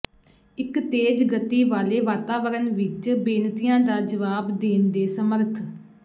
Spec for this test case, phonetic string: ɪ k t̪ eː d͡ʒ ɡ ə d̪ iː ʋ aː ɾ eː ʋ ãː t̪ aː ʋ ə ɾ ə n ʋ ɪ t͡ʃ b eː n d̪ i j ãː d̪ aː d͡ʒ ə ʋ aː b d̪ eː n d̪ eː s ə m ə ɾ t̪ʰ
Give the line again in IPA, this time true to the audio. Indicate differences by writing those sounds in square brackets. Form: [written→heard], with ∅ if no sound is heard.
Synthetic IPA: ɪ k t̪ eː d͡ʒ ɡ ə [d̪→t̪] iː ʋ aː [ɾ→l] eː ʋ [ãː→aː] t̪ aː ʋ ə ɾ ə n ʋ ɪ t͡ʃ b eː n [d̪→t̪] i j ãː d̪ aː d͡ʒ ə ʋ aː b d̪ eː n d̪ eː s ə m ə ɾ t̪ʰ